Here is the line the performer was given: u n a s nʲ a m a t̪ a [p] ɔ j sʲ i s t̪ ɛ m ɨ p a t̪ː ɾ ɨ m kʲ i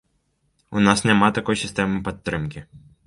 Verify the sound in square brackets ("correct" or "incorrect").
incorrect